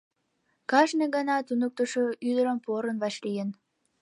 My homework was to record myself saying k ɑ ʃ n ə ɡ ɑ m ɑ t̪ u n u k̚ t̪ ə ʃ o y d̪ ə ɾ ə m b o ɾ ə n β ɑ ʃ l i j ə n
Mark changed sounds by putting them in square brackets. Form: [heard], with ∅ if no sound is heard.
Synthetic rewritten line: k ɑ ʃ n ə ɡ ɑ [n] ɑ t̪ u n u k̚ t̪ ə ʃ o y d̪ ə ɾ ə m [p] o ɾ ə n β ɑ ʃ l i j ə n